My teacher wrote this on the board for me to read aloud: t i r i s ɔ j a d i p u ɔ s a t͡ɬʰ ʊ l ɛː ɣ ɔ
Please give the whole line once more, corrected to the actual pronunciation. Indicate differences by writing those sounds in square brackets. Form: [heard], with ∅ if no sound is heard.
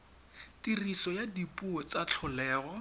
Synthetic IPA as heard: t i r i s ɔ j a d i p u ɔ [t͡s] a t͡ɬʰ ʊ l ɛː ɣ ɔ